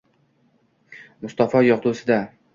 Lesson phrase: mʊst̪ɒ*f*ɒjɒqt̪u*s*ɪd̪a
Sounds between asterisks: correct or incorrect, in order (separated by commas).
correct, correct